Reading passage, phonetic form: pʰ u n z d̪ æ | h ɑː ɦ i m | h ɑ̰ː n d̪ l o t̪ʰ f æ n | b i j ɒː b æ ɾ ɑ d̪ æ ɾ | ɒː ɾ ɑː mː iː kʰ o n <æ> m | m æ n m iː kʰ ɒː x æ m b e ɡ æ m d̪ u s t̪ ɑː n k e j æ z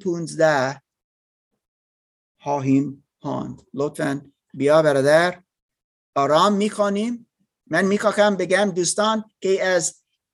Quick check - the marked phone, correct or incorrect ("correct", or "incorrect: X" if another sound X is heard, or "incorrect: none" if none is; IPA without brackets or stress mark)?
incorrect: i